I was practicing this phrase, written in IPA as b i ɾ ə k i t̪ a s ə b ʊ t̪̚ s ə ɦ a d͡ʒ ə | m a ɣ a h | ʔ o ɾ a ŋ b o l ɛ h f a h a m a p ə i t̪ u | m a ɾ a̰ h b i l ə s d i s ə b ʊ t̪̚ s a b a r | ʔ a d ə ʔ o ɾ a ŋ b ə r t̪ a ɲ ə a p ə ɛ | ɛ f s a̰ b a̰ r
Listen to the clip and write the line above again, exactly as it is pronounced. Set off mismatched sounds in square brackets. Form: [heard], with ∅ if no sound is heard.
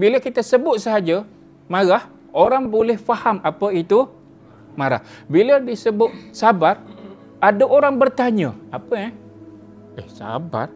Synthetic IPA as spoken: b i [l] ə k i t̪ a s ə b ʊ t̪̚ s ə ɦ a d͡ʒ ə | m a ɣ a h | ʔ o ɾ a ŋ b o l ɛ h f a h a m a p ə i t̪ u | m a ɾ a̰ h b i l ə [∅] d i s ə b ʊ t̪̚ s a b a r | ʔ a d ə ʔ o ɾ a ŋ b ə r t̪ a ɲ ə a p ə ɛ | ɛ [h] s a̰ b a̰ r